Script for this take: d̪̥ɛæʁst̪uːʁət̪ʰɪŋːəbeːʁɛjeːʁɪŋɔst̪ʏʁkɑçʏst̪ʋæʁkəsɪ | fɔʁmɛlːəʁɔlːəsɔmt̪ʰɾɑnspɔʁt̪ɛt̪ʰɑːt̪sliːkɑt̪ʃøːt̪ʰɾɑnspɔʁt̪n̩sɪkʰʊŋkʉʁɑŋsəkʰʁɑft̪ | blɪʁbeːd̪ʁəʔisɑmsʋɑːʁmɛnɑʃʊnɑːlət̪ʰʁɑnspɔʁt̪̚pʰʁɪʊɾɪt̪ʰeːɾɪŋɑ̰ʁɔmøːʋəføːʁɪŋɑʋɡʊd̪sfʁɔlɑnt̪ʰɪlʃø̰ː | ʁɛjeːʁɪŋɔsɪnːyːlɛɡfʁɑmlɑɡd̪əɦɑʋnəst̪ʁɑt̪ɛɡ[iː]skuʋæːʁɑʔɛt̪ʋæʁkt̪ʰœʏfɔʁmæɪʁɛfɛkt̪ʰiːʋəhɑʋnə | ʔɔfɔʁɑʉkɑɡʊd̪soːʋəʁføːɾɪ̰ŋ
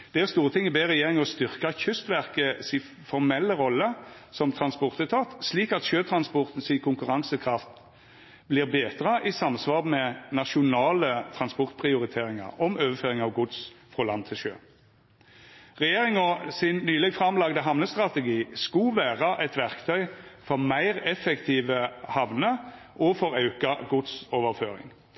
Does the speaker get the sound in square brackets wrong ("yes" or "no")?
no